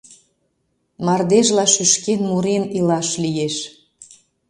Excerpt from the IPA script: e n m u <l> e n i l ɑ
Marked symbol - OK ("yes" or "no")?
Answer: no